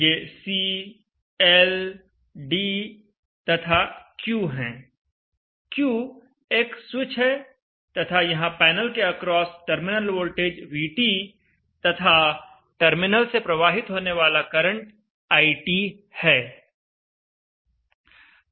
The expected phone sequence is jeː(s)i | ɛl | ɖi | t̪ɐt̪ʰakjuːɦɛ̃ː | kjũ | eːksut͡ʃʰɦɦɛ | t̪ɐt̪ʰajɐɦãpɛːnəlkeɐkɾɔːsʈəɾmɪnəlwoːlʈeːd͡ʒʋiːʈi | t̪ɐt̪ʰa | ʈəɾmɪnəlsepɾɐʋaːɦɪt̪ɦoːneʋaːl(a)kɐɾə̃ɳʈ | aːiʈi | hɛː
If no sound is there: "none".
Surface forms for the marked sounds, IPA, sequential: s, a

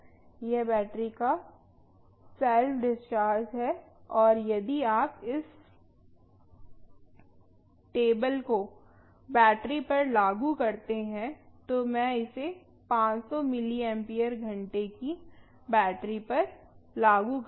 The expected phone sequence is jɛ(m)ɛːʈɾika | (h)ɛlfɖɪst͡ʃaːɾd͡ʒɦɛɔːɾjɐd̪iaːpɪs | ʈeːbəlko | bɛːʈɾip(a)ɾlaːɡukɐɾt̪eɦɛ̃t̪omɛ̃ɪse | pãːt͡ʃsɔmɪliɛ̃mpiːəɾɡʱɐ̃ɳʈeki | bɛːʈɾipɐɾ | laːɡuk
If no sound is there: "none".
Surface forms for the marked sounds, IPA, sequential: b, s, ɐ

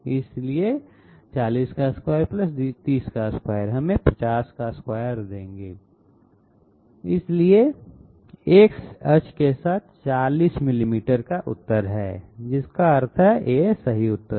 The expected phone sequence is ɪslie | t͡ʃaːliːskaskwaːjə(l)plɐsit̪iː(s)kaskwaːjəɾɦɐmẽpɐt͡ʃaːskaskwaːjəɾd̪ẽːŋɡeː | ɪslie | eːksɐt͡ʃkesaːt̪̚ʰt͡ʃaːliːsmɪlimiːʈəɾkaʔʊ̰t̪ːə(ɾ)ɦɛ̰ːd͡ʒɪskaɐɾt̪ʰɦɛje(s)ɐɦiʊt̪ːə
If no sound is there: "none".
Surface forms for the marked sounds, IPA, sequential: ɾ, s, ɾ, s

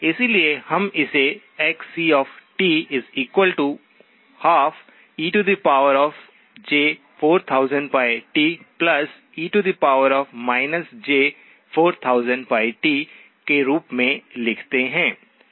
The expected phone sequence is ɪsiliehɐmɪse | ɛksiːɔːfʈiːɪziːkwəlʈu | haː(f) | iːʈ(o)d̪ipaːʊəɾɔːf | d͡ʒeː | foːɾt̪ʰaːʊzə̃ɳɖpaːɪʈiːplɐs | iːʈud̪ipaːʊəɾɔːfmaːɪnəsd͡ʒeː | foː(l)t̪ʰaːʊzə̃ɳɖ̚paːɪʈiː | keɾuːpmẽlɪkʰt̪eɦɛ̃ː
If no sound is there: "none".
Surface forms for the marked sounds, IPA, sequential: f, u, ɾ

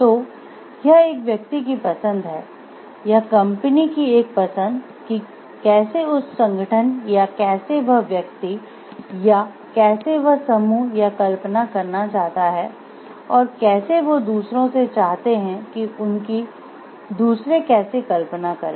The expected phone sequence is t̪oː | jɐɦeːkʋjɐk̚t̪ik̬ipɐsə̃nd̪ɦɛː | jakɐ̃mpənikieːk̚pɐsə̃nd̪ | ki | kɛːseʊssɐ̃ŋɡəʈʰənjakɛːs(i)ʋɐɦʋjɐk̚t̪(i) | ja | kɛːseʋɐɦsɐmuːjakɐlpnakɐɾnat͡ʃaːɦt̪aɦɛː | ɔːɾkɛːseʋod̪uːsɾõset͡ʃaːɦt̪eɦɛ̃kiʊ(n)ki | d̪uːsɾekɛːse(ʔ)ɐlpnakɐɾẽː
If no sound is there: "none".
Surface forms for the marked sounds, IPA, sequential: e, i, n, k

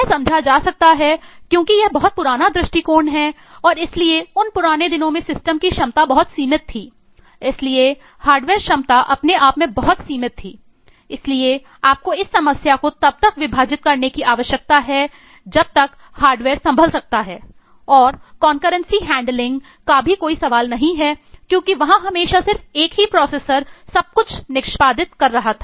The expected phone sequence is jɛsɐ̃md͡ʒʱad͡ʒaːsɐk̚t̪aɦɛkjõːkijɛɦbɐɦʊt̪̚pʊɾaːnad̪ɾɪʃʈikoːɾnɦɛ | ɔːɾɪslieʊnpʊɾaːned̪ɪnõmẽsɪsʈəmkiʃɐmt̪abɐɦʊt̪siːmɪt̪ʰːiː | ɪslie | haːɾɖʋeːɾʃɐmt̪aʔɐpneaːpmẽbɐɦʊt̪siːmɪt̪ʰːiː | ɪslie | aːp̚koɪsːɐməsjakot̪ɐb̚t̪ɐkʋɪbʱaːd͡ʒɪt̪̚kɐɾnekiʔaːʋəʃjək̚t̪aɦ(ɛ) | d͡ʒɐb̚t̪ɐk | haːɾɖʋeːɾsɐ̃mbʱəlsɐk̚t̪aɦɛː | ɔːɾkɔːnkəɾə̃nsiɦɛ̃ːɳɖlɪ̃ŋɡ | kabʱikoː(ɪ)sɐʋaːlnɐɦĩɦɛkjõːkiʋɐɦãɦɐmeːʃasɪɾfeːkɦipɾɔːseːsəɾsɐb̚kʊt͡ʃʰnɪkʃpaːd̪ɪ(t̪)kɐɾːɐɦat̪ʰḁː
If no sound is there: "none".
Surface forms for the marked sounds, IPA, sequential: ɛ, i, t̪

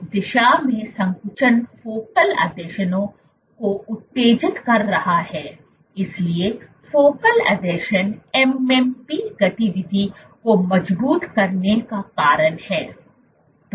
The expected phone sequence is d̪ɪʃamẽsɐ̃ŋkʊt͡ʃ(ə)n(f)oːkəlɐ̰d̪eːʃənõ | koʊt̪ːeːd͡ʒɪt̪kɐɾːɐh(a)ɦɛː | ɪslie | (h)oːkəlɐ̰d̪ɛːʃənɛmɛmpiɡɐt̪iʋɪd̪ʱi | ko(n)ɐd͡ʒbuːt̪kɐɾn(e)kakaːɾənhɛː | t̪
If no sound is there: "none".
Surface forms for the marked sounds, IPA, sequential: ə, f, a, f, m, e

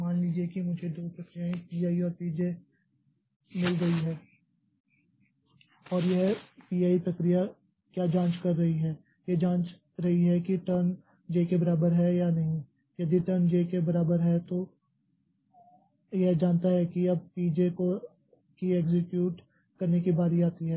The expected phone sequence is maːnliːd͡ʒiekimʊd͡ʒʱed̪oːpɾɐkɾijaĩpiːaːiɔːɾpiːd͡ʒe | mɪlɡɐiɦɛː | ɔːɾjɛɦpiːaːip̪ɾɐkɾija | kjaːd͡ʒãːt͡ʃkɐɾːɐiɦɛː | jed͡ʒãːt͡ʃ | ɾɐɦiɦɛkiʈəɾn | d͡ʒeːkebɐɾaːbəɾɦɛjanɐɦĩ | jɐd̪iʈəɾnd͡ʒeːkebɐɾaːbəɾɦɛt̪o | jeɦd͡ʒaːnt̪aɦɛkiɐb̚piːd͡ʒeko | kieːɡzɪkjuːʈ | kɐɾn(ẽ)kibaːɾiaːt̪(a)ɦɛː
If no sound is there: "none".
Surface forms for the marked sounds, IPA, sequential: e, i

